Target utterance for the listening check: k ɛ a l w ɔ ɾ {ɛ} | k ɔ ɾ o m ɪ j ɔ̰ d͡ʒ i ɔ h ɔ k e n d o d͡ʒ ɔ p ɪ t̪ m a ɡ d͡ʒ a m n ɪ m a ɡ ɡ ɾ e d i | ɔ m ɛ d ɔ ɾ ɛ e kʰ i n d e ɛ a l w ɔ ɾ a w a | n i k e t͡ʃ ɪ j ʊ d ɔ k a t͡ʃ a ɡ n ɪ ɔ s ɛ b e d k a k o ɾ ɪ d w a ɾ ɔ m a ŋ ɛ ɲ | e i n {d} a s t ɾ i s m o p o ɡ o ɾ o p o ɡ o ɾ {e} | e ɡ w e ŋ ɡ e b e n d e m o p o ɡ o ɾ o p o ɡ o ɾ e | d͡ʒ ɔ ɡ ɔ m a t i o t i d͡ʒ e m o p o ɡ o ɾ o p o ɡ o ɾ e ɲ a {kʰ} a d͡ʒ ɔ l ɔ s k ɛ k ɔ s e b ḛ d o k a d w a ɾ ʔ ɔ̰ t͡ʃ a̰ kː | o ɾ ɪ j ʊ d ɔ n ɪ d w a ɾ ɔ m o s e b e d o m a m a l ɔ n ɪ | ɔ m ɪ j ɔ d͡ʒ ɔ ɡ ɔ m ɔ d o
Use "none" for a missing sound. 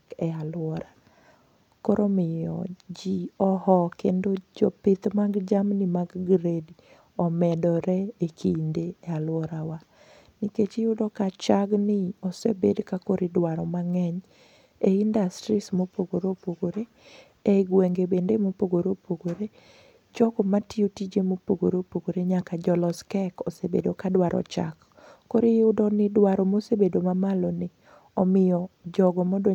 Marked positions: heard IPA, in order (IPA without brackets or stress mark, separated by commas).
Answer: a, d, e, k